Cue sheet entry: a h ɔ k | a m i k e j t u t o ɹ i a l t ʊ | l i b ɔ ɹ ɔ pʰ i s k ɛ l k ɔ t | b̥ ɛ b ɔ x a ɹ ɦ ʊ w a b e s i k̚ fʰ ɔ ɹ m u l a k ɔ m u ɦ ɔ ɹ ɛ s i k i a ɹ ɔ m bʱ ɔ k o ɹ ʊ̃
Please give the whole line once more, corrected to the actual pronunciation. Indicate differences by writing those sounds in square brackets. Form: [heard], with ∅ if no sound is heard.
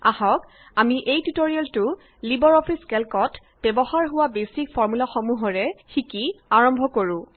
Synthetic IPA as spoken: a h ɔ k | a m i [ʔ] e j t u t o ɹ i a l t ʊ | l i b ɔ ɹ ɔ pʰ i s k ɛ l k ɔ t | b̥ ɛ b ɔ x a ɹ ɦ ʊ w a b e s i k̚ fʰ ɔ ɹ m u l a [x] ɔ m u ɦ ɔ ɹ ɛ [x] i k i a ɹ ɔ m bʱ ɔ k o ɹ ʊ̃